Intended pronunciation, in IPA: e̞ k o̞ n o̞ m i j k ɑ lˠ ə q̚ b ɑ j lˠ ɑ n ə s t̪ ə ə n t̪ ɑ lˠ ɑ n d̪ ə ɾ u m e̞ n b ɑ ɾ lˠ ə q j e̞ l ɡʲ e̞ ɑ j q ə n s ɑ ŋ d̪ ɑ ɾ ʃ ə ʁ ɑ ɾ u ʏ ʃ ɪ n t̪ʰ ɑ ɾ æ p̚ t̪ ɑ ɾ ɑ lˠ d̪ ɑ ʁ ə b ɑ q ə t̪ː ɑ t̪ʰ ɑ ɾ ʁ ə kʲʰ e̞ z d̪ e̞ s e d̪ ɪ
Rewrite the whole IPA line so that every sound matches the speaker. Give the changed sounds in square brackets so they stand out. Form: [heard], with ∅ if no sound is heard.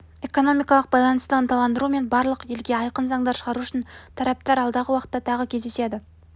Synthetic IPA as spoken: e̞ k o̞ n o̞ m i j k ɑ lˠ ə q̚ b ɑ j lˠ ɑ n ə s t̪ ə ə n t̪ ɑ lˠ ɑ n d̪ ə ɾ u m e̞ n b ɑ ɾ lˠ ə q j e̞ l ɡʲ e̞ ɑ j q ə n [z] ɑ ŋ d̪ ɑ ɾ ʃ ə ʁ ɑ ɾ u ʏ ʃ ɪ n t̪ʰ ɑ ɾ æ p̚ t̪ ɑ ɾ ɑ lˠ d̪ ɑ ʁ ə [w] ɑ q ə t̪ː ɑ t̪ʰ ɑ [∅] ʁ ə kʲʰ e̞ z d̪ e̞ s e d̪ ɪ